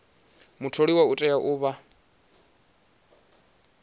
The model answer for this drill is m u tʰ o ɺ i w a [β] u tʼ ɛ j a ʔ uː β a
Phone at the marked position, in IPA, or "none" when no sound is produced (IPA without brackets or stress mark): none